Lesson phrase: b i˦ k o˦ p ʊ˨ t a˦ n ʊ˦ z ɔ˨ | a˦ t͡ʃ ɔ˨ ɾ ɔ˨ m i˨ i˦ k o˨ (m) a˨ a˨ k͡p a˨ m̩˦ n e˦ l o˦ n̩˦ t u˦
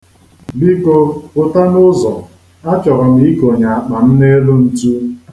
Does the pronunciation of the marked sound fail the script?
yes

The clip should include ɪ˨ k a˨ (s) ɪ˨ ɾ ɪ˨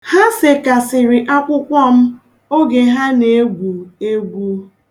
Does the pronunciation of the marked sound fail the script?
no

